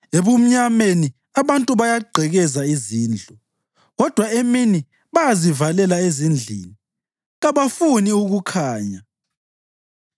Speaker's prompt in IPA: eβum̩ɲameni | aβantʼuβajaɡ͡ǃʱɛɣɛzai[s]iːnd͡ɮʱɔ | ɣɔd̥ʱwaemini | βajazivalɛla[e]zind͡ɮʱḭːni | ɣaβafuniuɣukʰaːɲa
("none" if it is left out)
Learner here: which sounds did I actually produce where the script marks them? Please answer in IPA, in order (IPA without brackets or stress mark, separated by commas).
z, e